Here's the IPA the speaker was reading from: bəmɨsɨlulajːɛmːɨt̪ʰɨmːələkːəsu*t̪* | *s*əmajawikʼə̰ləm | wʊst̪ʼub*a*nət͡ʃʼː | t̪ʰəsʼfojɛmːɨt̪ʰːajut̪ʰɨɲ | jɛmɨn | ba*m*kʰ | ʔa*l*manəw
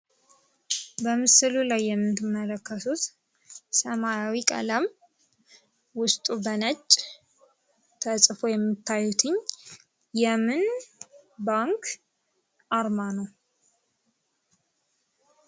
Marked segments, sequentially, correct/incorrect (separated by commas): correct, correct, incorrect, incorrect, incorrect